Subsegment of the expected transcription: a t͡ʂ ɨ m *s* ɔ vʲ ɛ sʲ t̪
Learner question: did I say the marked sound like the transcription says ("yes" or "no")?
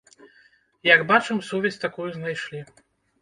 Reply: yes